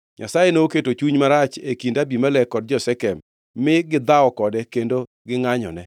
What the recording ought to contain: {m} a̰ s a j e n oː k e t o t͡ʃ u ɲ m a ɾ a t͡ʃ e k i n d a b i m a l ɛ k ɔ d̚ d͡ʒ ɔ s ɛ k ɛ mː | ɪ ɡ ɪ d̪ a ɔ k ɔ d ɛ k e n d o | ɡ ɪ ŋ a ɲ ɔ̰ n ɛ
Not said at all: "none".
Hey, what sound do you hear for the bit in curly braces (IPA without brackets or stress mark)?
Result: ɲ